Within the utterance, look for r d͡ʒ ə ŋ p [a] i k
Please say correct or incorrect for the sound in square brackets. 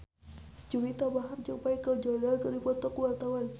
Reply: correct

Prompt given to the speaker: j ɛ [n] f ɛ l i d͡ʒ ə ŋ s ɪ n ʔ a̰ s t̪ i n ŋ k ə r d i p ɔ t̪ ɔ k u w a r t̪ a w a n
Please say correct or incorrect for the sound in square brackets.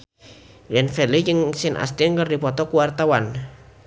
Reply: correct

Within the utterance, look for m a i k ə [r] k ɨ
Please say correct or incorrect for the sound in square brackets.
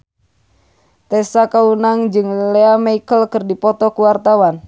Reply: incorrect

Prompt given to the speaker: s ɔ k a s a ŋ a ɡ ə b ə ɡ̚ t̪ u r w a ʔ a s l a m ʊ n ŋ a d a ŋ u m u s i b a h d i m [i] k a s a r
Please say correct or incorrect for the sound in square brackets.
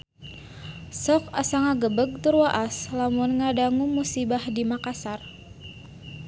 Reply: incorrect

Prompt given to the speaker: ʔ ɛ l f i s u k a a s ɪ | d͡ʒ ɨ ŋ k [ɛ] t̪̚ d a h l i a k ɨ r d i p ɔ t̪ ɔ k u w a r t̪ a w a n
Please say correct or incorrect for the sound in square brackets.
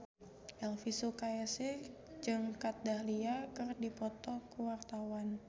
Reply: incorrect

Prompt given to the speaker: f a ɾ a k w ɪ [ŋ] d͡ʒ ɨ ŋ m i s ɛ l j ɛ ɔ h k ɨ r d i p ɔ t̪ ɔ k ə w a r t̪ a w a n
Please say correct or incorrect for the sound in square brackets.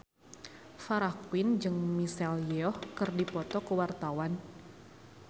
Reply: incorrect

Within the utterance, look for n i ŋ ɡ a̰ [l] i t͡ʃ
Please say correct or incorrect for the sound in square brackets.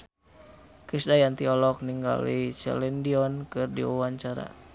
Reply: correct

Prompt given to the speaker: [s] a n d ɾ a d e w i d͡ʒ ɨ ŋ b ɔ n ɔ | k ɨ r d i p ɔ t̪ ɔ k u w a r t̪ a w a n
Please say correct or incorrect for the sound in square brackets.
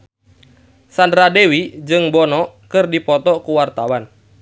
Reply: correct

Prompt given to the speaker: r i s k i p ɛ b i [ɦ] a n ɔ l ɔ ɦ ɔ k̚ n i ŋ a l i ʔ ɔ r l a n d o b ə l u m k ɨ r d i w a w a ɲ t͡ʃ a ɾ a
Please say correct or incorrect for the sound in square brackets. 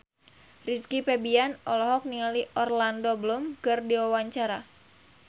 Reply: incorrect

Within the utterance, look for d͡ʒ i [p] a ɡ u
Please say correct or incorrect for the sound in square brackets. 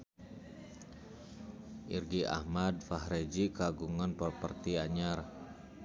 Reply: incorrect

